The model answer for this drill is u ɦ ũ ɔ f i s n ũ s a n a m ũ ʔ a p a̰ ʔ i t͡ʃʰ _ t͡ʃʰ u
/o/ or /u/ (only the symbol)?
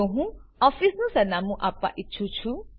u